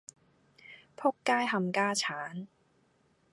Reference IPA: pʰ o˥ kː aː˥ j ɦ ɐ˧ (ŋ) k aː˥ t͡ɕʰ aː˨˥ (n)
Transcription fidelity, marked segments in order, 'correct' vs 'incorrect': incorrect, correct

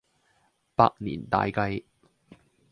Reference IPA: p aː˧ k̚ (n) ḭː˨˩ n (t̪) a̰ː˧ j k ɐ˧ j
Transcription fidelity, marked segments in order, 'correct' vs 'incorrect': correct, correct

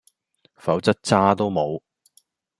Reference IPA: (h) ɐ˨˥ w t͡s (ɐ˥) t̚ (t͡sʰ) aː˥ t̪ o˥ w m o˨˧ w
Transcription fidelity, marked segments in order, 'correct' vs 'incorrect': incorrect, correct, incorrect

